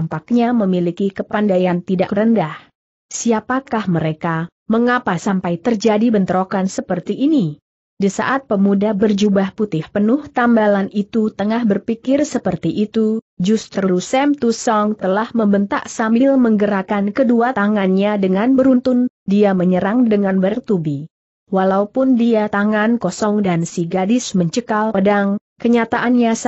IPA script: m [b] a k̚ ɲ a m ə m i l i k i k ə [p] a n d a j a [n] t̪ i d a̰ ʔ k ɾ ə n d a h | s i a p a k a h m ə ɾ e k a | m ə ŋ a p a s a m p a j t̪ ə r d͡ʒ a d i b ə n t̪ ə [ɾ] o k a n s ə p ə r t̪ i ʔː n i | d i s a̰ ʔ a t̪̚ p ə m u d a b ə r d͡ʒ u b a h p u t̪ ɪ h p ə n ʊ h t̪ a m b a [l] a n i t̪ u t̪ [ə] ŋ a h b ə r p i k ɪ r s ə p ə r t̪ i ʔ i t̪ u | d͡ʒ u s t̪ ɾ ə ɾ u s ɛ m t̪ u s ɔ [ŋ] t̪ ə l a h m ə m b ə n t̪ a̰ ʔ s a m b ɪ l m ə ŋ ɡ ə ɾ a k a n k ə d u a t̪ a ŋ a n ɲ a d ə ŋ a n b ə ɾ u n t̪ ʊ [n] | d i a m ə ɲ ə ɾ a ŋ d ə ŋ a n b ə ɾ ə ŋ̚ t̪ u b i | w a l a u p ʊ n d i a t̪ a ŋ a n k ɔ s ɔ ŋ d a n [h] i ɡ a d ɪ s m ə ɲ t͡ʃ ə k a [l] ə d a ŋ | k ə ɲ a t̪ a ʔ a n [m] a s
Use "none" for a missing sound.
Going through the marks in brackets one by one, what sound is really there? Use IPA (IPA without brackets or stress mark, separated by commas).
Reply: p, p, n, ɾ, l, ə, ŋ, n, s, l, ɲ